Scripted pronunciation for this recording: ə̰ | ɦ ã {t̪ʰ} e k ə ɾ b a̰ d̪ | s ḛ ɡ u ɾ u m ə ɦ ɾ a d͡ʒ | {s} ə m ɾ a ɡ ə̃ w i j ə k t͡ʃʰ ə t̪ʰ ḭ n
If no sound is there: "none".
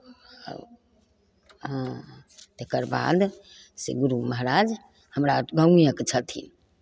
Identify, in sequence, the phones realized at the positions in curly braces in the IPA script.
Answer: t̪, h

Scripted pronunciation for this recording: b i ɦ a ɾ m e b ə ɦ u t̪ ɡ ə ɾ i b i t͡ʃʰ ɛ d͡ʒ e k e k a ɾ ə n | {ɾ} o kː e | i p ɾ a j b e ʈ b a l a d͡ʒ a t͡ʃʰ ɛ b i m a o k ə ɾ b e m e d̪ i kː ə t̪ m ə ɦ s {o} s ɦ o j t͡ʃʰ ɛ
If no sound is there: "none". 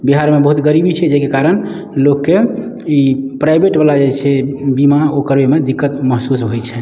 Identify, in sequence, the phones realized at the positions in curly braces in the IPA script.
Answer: l, u

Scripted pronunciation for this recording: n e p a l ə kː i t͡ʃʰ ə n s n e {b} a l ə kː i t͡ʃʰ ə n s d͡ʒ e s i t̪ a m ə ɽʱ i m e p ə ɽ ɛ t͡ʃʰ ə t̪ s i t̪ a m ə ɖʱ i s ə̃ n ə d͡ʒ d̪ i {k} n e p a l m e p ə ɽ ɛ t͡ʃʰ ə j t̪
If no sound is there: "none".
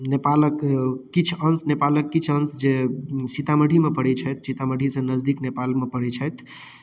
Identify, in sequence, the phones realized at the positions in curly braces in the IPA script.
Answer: p, k

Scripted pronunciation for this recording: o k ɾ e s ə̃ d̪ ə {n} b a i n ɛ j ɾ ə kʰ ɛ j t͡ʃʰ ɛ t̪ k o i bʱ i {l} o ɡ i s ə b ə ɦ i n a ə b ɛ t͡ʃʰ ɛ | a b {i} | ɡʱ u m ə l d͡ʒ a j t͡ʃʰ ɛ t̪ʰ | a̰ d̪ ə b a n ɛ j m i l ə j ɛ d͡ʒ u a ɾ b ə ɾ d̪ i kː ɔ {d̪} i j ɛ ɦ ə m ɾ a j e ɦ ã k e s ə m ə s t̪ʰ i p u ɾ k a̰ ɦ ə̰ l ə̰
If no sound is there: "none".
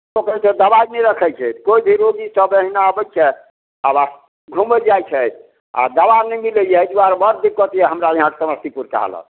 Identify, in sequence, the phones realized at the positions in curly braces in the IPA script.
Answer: none, ɾ, a, t̪

